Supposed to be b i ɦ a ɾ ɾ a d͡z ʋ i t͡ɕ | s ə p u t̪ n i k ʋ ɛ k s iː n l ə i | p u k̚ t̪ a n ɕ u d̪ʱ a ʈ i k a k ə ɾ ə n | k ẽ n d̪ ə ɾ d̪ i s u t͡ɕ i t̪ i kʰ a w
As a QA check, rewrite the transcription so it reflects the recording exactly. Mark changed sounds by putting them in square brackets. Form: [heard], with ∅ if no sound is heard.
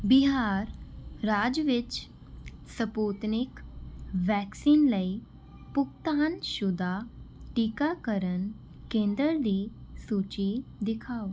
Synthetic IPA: b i ɦ a ɾ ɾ a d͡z ʋ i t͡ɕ | s ə p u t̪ n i k ʋ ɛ k s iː n l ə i | p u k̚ t̪ a n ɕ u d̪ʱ a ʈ i k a k ə ɾ ə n | k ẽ n d̪ ə ɾ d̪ i s u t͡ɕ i [d̪] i kʰ a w

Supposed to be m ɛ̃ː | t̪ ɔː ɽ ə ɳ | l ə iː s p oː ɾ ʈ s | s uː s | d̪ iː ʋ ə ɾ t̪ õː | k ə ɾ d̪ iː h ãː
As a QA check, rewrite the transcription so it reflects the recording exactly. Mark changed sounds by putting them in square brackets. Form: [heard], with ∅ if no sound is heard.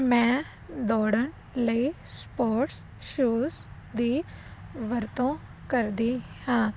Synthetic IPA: m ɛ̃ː | [d̪] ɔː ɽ ə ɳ | l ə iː s p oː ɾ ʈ s | [ʃ] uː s | d̪ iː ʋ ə ɾ t̪ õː | k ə ɾ d̪ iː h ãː

